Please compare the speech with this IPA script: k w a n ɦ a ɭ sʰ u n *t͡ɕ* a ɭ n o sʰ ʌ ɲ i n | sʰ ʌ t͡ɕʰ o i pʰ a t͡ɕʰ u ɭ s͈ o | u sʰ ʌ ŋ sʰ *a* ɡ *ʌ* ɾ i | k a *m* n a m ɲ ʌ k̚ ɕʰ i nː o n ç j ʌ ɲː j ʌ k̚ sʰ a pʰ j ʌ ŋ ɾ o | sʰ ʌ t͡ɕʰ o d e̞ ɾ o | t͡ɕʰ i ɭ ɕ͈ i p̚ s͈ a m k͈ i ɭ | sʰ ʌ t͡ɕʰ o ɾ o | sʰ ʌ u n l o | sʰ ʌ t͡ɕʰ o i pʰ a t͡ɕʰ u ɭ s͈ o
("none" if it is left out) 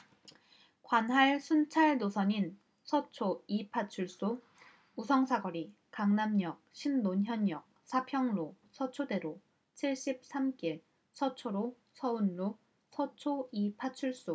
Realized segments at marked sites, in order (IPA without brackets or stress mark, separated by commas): t͡ɕʰ, a, ʌ, ŋ